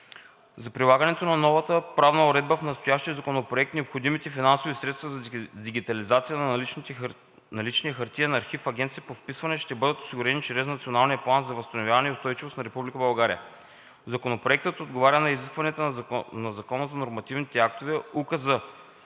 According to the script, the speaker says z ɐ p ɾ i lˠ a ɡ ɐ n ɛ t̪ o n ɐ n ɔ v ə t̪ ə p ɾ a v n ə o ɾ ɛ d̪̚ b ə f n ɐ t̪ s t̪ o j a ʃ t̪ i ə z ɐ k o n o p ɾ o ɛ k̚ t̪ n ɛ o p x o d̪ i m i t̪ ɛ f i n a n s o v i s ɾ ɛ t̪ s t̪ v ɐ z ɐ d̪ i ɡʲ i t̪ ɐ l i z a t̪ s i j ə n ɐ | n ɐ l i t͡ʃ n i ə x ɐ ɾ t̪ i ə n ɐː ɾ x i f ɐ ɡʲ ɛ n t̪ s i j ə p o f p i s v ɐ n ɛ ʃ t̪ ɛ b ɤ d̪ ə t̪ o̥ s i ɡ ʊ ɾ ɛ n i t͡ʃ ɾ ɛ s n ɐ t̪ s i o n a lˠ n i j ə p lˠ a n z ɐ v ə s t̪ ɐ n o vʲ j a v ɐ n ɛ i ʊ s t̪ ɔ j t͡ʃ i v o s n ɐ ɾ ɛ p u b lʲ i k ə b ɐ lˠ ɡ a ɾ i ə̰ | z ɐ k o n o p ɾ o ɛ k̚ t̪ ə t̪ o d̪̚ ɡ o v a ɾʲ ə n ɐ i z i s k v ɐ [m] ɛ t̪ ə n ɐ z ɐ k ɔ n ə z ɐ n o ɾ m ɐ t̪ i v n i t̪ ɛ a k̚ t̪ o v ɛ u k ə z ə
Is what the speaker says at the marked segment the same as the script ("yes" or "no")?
no